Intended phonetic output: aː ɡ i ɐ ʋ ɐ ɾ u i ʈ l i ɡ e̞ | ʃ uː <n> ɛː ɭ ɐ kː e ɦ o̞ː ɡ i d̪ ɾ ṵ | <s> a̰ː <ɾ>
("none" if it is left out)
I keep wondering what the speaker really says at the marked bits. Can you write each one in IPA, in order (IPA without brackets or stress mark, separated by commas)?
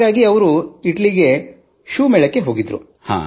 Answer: m, h, none